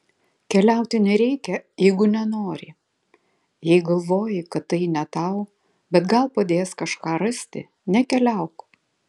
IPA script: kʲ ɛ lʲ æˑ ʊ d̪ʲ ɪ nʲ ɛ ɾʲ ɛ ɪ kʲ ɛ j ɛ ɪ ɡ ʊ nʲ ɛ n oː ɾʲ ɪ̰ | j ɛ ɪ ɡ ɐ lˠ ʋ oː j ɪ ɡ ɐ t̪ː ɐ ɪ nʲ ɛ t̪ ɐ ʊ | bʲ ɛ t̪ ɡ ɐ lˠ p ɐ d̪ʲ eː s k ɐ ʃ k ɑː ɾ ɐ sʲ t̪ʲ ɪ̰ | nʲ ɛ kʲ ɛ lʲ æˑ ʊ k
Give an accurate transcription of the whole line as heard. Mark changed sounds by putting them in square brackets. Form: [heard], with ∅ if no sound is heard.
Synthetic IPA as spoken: kʲ ɛ lʲ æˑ ʊ [t̪ʲ] ɪ nʲ ɛ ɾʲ ɛ ɪ kʲ ɛ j ɛ ɪ ɡ ʊ nʲ ɛ n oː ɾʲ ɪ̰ | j ɛ ɪ ɡ ɐ lˠ ʋ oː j ɪ [k] ɐ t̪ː ɐ ɪ nʲ ɛ t̪ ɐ ʊ | bʲ ɛ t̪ ɡ ɐ lˠ p ɐ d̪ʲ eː s k ɐ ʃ k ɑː ɾ ɐ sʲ t̪ʲ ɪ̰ | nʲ ɛ kʲ ɛ lʲ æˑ ʊ k